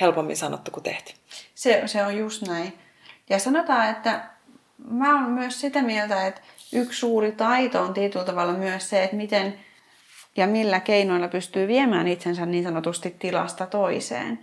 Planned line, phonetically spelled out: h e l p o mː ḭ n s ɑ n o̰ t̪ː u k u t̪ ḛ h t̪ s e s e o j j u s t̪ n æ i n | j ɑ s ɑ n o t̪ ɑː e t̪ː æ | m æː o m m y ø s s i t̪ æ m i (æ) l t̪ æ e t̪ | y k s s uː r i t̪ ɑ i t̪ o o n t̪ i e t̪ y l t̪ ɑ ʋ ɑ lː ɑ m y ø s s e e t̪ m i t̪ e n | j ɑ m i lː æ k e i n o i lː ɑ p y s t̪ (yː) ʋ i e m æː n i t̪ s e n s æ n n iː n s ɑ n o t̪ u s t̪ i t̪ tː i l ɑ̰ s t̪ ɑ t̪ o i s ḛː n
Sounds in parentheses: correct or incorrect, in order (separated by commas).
incorrect, correct